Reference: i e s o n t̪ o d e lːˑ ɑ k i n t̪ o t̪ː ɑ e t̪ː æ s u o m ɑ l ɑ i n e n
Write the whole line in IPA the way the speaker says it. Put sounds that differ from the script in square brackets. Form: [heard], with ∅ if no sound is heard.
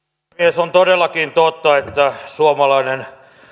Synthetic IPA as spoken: i e s o n t̪ o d e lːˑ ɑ k i n t̪ o t̪ː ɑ e t̪ː æ s u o m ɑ l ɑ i n e n